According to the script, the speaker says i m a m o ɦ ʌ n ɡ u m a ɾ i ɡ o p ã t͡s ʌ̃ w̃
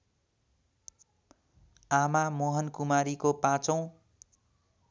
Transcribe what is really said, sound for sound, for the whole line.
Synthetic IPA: a m a m o ɦ ʌ n k u m a ɾ i k o p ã t͡s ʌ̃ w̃